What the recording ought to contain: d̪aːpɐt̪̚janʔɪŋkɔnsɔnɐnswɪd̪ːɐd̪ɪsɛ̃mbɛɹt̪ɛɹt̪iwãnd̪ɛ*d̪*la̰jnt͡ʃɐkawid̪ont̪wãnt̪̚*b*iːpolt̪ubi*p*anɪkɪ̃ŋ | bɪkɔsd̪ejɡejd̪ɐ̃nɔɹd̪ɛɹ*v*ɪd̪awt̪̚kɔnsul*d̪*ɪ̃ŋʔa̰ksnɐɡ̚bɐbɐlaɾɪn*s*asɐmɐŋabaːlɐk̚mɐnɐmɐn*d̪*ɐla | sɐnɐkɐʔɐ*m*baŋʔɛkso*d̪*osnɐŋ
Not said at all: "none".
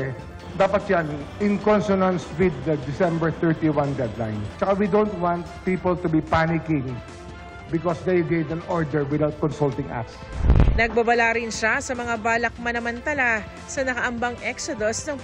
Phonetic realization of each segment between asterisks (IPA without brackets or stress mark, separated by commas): d̪, p, p, w, t̪, ʃ, t̪, m, d̪